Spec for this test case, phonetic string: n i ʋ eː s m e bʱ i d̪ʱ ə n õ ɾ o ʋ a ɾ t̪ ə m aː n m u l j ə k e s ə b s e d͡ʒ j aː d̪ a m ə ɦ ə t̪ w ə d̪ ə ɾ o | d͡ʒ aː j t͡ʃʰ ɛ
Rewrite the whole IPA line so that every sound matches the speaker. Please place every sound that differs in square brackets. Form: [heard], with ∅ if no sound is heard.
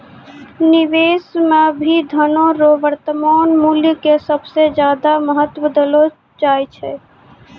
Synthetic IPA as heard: n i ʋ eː s m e bʱ i d̪ʱ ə n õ ɾ o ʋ [ə] ɾ t̪ ə m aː n m u l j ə k e s ə b s e d͡ʒ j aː d̪ a m ə ɦ ə t̪ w ə d̪ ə [l] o | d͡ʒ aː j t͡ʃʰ ɛ